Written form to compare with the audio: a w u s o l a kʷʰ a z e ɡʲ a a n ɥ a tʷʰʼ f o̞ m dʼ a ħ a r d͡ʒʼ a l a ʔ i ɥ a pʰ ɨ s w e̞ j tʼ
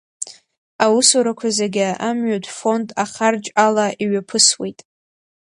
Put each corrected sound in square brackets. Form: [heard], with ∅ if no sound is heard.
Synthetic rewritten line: a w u s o [ɾ] a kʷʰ a z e ɡʲ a a [m] ɥ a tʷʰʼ f o̞ [n] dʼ a [χ] a r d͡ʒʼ a l a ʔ i ɥ a pʰ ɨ s w e̞ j tʼ